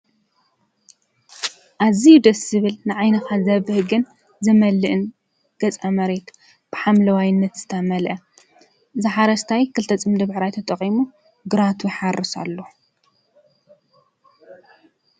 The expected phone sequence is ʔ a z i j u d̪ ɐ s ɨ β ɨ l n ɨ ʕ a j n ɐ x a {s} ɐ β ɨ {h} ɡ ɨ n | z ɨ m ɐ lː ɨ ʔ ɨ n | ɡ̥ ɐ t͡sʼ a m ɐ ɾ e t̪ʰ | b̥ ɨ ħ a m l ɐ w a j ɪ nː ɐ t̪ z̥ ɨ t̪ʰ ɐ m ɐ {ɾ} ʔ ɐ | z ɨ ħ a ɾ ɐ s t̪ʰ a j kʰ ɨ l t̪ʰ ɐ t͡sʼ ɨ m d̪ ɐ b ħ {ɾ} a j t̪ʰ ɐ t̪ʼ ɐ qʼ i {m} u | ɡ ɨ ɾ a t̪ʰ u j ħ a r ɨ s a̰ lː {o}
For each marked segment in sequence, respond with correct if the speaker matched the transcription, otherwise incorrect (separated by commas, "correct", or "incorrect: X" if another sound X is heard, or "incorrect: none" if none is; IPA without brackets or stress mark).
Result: incorrect: z, correct, incorrect: l, correct, correct, correct